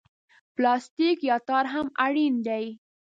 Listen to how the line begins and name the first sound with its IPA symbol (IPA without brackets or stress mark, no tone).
p